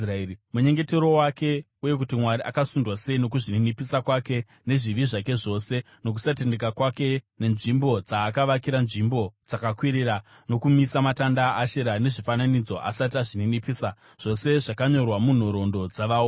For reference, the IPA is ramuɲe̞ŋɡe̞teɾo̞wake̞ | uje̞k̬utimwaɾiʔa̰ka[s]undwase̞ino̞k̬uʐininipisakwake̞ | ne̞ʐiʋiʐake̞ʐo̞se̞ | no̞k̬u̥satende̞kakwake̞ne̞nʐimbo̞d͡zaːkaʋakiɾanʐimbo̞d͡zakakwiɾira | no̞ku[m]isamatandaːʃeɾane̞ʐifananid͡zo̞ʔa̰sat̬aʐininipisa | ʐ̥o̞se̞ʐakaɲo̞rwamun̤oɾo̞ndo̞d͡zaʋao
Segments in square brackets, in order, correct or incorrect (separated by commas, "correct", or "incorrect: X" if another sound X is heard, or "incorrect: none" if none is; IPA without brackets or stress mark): correct, correct